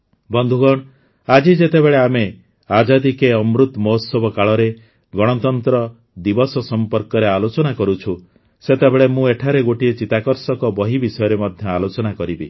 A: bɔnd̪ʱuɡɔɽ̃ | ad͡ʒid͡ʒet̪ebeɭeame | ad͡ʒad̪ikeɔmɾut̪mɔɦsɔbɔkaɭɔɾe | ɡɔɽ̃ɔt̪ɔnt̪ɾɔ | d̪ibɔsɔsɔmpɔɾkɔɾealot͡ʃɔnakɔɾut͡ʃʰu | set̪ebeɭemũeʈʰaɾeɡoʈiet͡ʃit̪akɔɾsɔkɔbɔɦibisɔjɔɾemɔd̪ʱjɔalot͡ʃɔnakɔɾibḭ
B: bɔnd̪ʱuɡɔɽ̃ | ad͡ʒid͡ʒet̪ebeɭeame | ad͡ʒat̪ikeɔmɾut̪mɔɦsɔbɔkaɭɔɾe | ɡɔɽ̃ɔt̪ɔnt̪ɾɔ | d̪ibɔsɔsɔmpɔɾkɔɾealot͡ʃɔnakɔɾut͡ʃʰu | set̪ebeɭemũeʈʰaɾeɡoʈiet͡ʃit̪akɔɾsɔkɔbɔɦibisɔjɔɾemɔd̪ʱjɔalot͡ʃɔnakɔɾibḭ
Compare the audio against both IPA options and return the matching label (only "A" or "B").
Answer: A